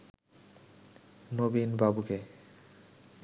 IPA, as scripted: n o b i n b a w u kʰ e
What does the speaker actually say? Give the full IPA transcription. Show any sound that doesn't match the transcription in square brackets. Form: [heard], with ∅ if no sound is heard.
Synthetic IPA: n o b i n b a [b] u [k] e